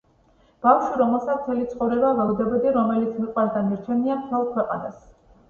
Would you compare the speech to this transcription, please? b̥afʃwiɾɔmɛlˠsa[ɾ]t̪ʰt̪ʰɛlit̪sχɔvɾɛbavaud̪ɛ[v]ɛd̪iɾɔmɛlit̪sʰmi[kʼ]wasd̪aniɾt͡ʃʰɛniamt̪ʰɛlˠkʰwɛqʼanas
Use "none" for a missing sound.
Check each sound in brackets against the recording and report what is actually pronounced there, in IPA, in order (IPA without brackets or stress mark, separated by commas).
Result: none, b, qʼ